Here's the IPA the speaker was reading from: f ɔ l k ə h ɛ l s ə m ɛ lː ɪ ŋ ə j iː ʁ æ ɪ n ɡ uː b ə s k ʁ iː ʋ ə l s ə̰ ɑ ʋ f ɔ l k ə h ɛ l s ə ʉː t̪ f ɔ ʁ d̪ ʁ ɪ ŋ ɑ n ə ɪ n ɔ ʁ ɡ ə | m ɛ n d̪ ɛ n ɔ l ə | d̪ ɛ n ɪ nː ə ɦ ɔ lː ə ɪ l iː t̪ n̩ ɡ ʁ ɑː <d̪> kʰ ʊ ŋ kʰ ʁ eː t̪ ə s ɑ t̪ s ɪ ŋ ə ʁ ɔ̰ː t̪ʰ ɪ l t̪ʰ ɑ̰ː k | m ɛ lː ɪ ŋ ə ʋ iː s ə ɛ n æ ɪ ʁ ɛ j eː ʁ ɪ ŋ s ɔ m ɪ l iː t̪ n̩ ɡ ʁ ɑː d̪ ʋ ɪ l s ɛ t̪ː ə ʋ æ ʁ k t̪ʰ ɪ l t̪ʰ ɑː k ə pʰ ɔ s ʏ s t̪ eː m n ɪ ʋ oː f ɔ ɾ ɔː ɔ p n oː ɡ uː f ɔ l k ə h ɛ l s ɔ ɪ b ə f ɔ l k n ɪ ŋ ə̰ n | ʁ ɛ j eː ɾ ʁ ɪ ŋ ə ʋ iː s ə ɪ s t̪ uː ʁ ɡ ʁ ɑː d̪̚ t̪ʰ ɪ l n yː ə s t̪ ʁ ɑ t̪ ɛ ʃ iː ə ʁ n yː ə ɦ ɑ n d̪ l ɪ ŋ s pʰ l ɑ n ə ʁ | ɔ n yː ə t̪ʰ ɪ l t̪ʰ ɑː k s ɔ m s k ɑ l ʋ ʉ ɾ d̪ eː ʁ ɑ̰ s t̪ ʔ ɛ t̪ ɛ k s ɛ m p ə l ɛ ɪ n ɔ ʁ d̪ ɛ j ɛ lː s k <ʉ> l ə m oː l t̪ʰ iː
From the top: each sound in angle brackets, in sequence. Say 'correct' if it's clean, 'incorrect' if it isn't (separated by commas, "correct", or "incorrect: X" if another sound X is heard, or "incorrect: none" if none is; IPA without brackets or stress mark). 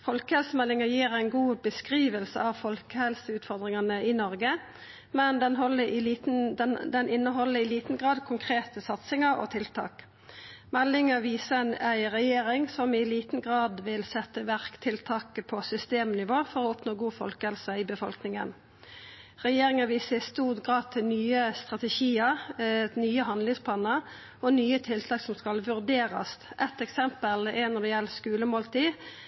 correct, incorrect: ʉː